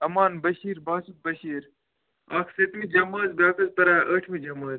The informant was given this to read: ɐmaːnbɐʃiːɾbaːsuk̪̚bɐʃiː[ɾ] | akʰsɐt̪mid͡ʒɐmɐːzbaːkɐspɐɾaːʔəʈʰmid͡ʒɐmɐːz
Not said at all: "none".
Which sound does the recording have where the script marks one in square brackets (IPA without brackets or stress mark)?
ɾ